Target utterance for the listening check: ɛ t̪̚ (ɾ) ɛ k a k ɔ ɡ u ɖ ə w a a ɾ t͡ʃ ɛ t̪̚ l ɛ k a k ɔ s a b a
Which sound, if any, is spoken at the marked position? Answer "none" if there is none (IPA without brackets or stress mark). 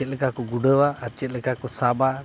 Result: l